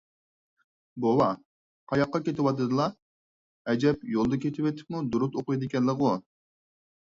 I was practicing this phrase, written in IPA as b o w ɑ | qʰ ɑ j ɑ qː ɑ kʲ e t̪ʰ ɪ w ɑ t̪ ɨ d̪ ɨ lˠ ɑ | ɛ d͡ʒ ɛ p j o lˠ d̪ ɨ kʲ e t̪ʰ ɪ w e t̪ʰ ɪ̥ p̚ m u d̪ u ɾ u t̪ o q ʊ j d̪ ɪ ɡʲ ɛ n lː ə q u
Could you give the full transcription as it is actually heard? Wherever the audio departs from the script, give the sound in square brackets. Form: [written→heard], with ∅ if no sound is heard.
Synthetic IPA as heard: b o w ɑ | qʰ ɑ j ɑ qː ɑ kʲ e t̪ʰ ɪ w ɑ t̪ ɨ d̪ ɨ lˠ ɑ | ɛ d͡ʒ ɛ p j o lˠ d̪ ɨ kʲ e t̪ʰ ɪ w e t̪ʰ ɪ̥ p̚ m u d̪ u ɾ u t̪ o q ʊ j d̪ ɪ [ɡʲ→kʲ] ɛ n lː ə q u